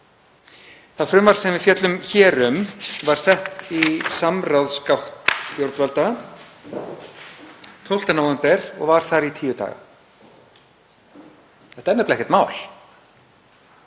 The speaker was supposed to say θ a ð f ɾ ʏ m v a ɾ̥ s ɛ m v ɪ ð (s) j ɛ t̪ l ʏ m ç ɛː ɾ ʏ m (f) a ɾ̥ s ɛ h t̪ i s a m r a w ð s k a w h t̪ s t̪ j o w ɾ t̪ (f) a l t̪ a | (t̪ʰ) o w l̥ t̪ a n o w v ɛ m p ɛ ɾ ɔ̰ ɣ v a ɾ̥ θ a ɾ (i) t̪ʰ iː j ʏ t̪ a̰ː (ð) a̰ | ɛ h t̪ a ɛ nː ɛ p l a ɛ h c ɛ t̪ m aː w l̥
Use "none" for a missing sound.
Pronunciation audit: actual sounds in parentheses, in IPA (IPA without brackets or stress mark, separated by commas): f, v, v, t̪ʰ, i, ɣ